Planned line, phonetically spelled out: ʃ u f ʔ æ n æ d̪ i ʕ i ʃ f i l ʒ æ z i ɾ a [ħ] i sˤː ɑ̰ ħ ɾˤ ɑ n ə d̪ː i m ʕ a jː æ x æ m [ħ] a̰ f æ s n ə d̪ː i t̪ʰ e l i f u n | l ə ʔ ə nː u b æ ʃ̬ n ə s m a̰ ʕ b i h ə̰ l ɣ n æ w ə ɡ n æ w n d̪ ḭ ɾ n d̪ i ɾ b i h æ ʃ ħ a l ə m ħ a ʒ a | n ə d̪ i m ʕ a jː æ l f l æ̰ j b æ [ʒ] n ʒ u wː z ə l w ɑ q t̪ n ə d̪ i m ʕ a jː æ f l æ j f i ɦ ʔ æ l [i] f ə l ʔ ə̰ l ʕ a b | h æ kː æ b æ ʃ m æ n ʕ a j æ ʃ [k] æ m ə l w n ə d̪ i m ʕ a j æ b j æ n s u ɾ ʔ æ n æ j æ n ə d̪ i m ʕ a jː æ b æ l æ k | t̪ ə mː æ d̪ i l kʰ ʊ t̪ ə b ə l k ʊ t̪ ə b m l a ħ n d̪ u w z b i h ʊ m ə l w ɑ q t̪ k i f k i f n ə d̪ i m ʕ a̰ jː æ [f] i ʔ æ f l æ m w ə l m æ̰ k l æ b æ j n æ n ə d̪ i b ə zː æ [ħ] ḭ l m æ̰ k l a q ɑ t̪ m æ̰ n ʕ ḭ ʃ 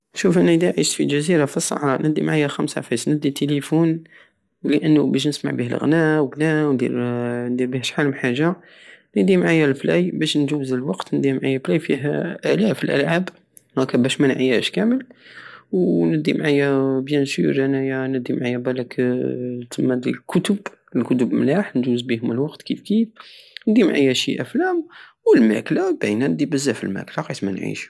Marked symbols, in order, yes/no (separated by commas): no, no, no, no, yes, no, no